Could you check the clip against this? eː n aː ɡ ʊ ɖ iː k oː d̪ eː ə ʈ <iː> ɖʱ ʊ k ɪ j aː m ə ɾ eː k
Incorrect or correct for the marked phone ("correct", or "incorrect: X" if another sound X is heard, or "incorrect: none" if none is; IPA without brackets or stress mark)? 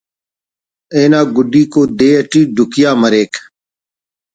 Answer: correct